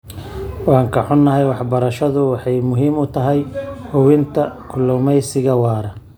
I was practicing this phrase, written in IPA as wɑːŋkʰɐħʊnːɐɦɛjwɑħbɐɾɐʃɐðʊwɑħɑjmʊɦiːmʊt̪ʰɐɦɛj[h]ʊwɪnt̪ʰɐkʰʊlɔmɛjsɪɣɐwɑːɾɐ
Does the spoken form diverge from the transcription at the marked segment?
no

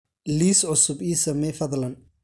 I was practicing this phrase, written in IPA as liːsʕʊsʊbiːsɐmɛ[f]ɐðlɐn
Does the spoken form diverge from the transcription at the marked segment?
no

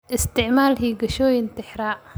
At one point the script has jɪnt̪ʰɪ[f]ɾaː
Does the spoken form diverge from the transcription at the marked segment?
yes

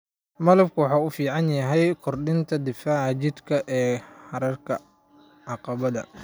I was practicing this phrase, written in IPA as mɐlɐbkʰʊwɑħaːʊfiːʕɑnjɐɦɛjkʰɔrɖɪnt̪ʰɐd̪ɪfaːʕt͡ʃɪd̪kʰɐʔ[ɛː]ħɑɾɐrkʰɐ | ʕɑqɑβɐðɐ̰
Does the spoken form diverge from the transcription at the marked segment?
no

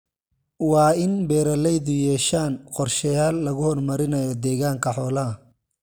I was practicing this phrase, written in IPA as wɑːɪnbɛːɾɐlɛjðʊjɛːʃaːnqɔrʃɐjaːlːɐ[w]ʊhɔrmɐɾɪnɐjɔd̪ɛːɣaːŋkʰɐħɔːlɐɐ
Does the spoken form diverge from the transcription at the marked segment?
yes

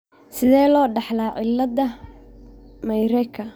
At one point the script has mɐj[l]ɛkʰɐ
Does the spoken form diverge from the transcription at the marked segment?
yes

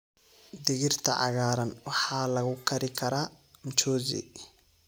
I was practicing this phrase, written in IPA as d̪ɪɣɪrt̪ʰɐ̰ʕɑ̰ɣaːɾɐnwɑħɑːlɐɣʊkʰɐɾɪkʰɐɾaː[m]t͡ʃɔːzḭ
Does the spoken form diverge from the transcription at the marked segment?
no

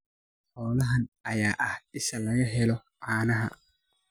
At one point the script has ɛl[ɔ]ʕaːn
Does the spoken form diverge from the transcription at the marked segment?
no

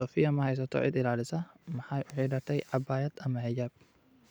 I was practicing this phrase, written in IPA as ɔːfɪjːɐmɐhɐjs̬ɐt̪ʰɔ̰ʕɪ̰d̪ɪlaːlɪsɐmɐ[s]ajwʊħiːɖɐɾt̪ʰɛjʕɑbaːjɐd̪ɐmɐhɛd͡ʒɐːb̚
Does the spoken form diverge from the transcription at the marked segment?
yes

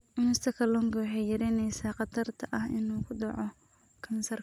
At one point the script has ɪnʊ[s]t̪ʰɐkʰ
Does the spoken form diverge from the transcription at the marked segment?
no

